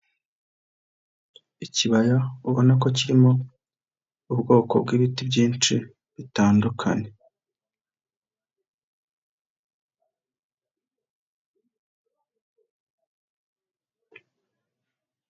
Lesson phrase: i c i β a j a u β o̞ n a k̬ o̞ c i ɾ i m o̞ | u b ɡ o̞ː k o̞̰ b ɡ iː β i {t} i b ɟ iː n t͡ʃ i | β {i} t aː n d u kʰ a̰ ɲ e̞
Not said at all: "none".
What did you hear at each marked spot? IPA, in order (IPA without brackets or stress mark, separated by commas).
t, i